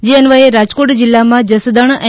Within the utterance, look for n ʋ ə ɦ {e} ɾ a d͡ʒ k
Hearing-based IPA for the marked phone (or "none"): e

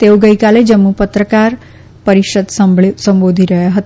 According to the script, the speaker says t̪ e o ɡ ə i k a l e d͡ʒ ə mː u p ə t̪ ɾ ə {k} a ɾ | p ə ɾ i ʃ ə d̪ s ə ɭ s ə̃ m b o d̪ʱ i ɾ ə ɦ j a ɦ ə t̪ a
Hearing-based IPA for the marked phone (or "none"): k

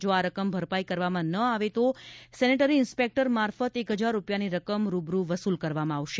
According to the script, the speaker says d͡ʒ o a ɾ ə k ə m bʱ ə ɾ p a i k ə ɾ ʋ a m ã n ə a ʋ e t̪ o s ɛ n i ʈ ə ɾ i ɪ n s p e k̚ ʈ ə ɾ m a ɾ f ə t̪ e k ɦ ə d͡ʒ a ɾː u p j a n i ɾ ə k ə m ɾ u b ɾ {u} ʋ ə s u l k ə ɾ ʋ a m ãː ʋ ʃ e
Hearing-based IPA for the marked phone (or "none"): u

